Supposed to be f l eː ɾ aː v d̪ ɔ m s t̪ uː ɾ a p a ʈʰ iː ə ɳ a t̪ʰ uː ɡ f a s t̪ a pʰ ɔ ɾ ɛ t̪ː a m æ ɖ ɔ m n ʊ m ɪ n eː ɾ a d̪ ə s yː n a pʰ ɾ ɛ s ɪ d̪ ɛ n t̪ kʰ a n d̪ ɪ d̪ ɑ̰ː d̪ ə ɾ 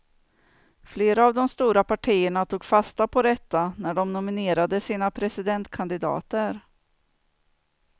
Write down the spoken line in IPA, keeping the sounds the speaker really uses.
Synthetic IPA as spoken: f l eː ɾ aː v d̪ ɔ m s t̪ uː ɾ a p a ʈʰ iː ə ɳ a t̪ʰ uː ɡ f a s t̪ a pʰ ɔ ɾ ɛ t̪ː a n æ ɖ ɔ m n ʊ m ɪ n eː ɾ a d̪ ə s iː n a pʰ ɾ ɛ s ɪ d̪ ɛ n t̪ kʰ a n d̪ ɪ d̪ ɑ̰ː t̪ ə ɾ